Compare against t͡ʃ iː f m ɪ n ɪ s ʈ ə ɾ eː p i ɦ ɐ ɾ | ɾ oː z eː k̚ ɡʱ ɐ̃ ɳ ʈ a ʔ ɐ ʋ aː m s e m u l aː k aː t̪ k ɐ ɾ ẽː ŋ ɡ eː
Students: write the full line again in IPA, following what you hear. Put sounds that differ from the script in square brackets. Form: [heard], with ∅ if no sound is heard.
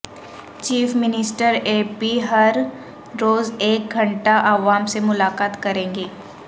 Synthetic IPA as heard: t͡ʃ iː f m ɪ n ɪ s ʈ ə ɾ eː p i ɦ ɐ ɾ | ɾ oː z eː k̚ ɡʱ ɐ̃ ɳ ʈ a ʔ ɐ ʋ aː m s e m [ʊ] l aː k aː t̪ k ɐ ɾ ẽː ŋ ɡ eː